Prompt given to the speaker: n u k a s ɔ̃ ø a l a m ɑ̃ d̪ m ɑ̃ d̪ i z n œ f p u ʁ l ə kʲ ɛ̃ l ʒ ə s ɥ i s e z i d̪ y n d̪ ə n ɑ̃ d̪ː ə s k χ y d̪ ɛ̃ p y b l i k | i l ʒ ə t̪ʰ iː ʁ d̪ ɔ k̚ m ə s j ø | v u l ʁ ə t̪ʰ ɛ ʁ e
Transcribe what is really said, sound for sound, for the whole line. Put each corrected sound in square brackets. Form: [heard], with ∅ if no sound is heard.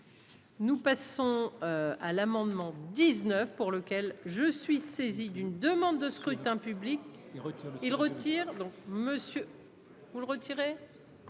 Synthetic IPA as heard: n u [p] a s ɔ̃ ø a l a m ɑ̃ d̪ m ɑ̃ d̪ i z n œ f p u ʁ l ə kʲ [ɛ] l ʒ ə s ɥ i s e z i d̪ y n d̪ ə [m] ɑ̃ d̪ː ə s k χ y [t̪] ɛ̃ p y b l i k | i l [ʁ] ə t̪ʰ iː ʁ d̪ [ɔ̃] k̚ m ə s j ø | v u l ʁ ə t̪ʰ [i] ʁ e